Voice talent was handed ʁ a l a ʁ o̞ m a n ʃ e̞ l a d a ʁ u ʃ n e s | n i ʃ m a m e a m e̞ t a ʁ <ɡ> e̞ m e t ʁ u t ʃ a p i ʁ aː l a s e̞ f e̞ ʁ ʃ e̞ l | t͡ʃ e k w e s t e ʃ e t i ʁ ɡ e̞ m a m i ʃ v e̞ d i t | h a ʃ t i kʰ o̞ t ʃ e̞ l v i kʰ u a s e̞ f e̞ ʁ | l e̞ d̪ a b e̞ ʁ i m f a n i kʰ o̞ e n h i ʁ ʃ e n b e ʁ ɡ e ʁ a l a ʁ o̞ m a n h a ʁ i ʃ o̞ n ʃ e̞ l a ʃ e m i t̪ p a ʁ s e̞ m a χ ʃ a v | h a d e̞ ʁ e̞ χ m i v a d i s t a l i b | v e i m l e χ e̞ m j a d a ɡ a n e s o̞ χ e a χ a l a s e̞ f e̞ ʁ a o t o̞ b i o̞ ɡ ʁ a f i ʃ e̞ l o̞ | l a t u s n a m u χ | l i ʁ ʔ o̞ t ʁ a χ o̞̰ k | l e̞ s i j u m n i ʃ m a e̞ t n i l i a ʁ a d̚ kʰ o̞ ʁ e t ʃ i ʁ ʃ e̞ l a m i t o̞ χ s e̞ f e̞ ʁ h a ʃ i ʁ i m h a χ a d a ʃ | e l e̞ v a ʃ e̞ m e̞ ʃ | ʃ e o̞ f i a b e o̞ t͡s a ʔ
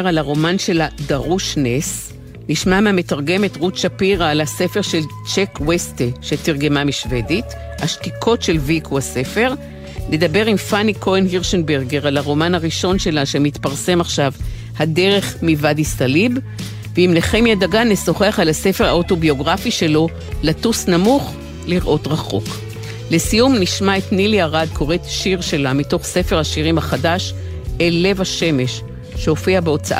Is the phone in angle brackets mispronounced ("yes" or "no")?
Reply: no